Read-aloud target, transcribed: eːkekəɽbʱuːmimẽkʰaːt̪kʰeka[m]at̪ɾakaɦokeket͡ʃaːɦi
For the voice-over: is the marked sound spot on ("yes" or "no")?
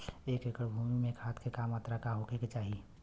yes